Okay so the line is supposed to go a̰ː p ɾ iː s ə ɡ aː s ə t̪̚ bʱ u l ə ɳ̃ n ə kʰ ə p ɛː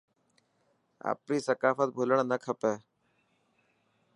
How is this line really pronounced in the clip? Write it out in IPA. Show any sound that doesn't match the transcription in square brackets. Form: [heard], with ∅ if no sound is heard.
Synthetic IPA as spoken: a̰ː p ɾ iː s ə [k] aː [f] ə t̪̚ bʱ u l ə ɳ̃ n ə kʰ ə p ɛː

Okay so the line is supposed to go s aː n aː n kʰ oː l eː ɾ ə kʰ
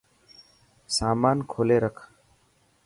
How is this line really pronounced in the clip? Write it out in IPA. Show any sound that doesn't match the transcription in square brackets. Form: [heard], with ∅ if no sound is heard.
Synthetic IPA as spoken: s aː [m] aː n kʰ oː l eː ɾ ə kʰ

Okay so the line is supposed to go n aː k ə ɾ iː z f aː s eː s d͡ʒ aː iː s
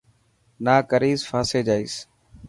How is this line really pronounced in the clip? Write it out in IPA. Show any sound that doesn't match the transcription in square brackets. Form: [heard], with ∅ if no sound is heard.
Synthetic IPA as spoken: n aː k ə ɾ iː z f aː s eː [∅] d͡ʒ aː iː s

